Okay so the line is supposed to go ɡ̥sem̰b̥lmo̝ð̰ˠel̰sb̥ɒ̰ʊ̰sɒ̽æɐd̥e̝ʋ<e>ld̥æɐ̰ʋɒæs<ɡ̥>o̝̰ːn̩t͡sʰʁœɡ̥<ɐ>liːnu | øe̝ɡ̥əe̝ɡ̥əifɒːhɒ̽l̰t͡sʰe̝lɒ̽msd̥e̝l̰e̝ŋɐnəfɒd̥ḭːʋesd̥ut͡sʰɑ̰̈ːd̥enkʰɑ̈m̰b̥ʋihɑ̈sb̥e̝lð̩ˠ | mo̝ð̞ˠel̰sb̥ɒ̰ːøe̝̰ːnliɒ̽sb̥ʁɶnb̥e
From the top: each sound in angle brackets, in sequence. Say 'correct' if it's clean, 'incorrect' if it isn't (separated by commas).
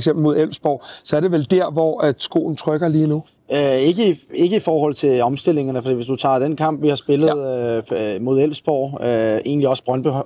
correct, correct, correct